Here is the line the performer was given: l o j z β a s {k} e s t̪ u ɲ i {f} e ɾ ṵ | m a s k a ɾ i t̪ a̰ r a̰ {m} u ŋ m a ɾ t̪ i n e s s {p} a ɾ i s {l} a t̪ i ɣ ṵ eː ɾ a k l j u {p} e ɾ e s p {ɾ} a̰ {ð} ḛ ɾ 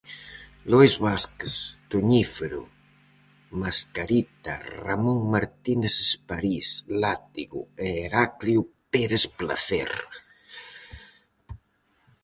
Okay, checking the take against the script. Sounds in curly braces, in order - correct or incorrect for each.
correct, correct, correct, correct, correct, correct, incorrect, incorrect

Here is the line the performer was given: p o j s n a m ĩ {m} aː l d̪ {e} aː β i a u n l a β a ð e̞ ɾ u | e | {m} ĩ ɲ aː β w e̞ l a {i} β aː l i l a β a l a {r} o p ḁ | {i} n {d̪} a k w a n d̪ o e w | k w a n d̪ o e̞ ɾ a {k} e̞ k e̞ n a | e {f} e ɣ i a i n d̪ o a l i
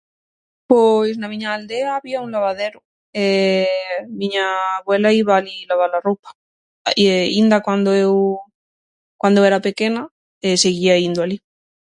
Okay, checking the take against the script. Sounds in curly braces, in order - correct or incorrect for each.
incorrect, correct, correct, correct, correct, correct, correct, incorrect, incorrect

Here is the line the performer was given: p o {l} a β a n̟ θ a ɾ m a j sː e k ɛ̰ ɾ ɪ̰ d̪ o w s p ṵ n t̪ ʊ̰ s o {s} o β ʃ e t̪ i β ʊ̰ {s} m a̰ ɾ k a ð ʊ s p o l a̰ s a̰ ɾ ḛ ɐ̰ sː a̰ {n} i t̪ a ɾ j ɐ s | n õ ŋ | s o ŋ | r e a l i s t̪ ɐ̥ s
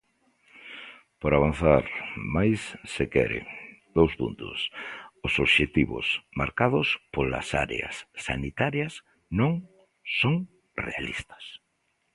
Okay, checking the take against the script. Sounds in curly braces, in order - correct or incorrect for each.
incorrect, correct, correct, correct

